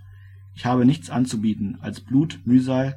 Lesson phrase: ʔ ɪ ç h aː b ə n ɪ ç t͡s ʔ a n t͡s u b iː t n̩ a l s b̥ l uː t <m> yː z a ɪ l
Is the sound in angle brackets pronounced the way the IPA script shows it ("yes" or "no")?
yes